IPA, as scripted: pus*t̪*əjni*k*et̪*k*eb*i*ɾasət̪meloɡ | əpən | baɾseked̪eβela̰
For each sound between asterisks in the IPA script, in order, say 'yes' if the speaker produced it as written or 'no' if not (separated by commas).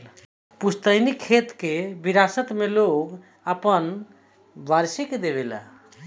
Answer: yes, no, yes, yes